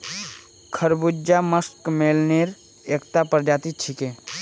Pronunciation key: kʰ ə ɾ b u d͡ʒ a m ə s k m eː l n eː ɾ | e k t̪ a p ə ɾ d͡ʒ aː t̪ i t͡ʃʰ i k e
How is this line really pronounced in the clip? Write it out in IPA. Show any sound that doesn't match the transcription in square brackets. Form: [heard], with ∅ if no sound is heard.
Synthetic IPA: kʰ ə ɾ b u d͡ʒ a m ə s k m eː l n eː ɾ | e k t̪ a p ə ɾ d͡ʒ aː t̪ i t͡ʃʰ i k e

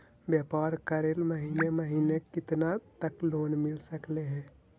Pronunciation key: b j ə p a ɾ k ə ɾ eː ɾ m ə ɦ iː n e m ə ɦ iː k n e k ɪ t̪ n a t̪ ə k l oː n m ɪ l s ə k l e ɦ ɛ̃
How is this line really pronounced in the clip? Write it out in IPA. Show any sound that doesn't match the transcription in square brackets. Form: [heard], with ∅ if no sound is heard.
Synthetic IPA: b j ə p a ɾ k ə ɾ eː [l] m ə ɦ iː n e m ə ɦ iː [∅] n e k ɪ t̪ n a t̪ ə k l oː n m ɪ l s ə k l e ɦ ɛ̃

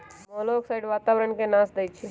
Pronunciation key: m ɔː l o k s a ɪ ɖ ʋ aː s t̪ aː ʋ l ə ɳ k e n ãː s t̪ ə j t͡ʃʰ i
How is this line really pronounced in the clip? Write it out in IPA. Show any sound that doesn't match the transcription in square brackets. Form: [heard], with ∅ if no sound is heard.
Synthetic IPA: m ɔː l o k s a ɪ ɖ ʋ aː [∅] t̪ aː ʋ [ɾ] ə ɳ k e n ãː s [d̪] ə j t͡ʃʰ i

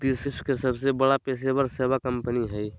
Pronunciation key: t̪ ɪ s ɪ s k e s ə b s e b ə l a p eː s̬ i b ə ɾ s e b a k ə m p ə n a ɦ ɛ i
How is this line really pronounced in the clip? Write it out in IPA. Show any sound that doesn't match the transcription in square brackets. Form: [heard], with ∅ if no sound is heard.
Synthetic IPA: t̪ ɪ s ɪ s k e s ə b s e b ə [ɽ] a p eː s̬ [e] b ə ɾ s e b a k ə m p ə n [i] ɦ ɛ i

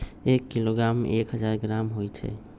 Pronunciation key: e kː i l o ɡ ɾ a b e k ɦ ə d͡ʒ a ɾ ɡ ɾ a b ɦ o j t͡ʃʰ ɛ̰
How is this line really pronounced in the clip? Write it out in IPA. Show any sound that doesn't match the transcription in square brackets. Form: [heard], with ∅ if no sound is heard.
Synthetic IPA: e kː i l o ɡ ɾ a [m] e k ɦ ə d͡ʒ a ɾ ɡ ɾ a [m] ɦ o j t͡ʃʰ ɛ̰

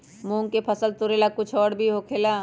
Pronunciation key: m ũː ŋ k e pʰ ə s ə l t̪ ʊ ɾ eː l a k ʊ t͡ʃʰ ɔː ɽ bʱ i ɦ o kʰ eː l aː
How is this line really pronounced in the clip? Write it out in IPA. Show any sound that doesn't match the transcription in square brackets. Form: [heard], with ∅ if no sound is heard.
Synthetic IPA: m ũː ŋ k e pʰ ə s ə l t̪ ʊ ɾ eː l a k ʊ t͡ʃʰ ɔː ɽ bʱ i ɦ o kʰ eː l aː

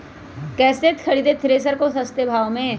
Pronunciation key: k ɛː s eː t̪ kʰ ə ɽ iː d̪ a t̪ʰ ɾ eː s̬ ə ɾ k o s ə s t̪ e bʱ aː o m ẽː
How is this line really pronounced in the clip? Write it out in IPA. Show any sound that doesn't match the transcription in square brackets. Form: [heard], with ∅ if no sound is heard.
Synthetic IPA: k ɛː s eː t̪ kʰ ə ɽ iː d̪ [e] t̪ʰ ɾ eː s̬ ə ɾ k o s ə s t̪ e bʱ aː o m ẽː

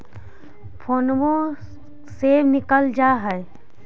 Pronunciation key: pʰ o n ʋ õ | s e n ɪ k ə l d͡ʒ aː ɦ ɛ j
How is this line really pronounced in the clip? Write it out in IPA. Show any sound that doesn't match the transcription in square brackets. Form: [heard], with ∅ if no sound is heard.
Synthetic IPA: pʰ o n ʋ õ | s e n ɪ k ə l d͡ʒ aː ɦ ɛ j

